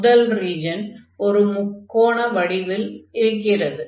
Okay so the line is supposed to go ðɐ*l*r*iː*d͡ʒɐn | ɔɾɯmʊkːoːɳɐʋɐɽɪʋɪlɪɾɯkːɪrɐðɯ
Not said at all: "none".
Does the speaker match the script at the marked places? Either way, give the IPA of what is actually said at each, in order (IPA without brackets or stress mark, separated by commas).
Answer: l, iː